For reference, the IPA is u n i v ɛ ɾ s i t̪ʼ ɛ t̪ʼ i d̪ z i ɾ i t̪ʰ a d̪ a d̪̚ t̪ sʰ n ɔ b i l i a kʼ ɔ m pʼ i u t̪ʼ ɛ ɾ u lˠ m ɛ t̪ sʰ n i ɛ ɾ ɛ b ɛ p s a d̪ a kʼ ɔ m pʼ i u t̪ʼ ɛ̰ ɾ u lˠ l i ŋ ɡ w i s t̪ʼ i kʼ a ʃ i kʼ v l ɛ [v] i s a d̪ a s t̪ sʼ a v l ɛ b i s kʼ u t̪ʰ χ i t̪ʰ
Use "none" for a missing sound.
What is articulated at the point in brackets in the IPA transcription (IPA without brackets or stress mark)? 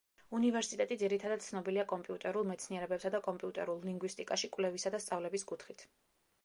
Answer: v